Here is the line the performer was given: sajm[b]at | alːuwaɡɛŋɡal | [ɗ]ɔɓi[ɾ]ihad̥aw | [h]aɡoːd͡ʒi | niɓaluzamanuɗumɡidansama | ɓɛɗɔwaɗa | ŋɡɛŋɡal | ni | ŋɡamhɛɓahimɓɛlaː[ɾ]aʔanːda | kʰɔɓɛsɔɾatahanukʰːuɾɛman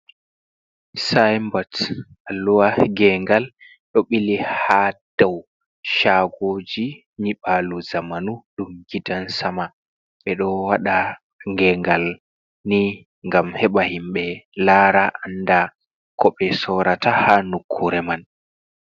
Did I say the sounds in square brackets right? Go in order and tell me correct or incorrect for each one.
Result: correct, correct, incorrect, incorrect, correct

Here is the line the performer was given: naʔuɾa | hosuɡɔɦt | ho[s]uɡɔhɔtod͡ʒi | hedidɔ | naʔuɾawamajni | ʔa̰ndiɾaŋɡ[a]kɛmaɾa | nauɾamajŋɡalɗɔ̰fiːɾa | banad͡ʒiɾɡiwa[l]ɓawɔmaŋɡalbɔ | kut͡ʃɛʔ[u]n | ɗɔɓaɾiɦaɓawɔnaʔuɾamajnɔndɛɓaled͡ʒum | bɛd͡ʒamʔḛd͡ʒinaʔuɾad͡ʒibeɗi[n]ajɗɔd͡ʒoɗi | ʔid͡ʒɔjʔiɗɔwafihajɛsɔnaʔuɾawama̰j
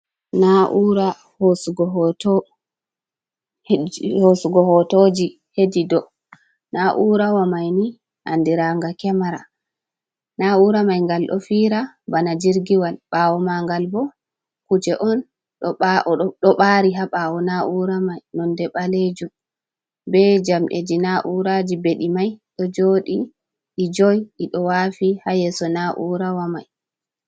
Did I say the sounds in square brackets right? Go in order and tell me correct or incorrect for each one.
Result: correct, correct, correct, incorrect, incorrect

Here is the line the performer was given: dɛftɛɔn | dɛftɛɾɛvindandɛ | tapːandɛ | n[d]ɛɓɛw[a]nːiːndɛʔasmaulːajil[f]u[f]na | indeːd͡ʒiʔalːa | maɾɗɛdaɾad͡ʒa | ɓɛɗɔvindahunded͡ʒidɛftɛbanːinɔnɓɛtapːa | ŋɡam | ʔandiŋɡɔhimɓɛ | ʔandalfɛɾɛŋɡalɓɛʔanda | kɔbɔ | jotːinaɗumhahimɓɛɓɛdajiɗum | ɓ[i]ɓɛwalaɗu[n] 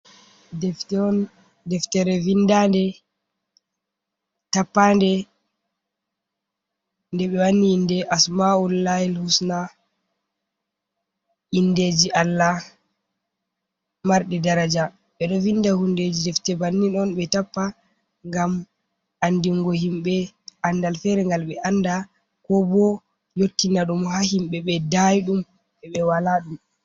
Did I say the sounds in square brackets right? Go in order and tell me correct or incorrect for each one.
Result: correct, correct, incorrect, incorrect, incorrect, incorrect

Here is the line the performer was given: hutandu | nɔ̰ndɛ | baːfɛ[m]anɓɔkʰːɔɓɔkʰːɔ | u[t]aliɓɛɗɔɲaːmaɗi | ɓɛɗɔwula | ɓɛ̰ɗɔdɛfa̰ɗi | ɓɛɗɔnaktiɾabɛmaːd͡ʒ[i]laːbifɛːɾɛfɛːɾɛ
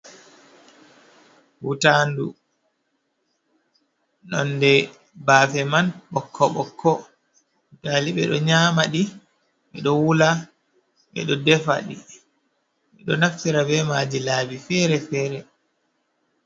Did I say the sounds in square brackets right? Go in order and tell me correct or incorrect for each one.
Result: correct, correct, correct

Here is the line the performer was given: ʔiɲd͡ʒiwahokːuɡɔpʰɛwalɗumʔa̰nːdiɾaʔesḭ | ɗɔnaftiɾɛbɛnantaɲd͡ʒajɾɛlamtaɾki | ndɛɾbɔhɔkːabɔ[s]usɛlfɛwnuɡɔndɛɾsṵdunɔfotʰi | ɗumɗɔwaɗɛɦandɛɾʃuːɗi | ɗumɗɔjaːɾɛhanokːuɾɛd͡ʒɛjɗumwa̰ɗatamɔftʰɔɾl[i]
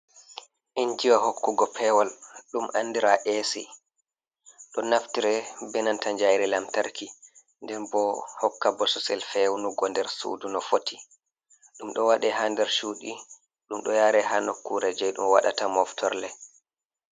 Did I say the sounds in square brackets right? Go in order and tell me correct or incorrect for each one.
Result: correct, incorrect

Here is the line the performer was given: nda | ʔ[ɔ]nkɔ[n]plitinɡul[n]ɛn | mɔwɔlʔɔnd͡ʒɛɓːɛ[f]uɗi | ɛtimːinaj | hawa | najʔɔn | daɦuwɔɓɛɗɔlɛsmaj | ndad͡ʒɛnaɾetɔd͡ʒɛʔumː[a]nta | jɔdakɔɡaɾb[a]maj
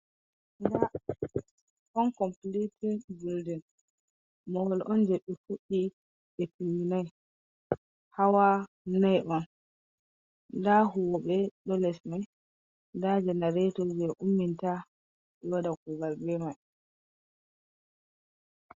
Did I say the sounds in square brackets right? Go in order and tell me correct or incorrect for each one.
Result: correct, incorrect, incorrect, correct, incorrect, incorrect

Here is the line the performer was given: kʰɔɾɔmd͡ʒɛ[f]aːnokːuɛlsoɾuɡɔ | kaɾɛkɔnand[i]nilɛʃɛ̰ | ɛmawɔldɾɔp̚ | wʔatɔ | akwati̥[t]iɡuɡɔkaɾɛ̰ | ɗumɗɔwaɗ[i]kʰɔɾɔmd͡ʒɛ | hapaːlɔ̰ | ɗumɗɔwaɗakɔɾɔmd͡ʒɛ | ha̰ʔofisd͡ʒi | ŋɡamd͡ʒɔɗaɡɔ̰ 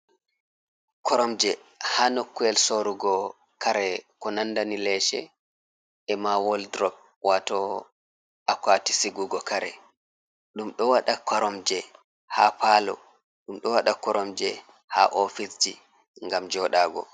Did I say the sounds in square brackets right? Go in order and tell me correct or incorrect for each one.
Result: incorrect, incorrect, incorrect, incorrect

